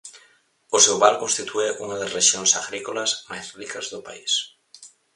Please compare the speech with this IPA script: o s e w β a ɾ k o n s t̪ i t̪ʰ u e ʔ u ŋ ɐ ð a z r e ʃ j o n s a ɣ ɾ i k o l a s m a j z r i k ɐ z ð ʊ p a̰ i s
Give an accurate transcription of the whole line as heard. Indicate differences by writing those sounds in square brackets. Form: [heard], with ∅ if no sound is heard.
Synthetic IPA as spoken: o s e w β a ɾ k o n s t̪ i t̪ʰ u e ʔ u ŋ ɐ ð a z r e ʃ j o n s a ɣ ɾ i k o l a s m a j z r i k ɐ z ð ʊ p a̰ i s